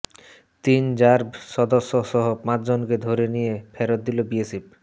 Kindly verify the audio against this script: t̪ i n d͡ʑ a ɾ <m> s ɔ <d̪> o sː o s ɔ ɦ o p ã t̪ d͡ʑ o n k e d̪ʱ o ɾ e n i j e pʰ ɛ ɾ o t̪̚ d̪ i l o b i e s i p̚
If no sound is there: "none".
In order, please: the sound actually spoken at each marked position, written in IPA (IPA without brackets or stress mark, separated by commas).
b, d̪